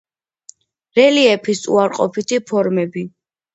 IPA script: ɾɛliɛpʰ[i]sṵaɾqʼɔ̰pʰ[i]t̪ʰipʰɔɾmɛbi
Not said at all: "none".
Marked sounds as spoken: i, i

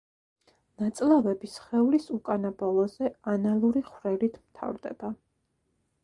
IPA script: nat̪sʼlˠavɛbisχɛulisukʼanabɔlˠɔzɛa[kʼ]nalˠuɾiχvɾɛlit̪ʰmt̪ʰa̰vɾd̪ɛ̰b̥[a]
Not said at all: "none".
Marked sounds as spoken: none, a

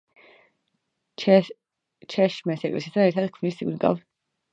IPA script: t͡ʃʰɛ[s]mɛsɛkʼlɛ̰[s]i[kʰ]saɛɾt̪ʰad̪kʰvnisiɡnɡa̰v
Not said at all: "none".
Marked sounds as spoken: ʃ, s, none

